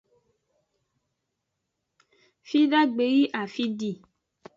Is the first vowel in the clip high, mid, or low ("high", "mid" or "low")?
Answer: high